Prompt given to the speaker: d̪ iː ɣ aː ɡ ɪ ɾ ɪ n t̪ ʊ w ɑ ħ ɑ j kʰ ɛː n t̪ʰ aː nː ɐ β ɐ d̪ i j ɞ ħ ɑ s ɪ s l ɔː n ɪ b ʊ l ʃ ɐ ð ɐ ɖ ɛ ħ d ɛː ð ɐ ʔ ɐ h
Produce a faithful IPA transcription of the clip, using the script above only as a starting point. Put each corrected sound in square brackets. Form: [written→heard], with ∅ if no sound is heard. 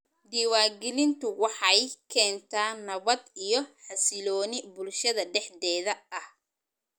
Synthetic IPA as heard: d̪ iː [ɣ→w] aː ɡ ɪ [ɾ→l] ɪ n t̪ ʊ w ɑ ħ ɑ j kʰ ɛː n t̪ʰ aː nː ɐ β ɐ d̪ i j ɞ ħ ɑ s ɪ [s→∅] l ɔː n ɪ b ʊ l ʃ ɐ ð ɐ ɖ ɛ ħ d ɛː ð ɐ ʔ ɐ h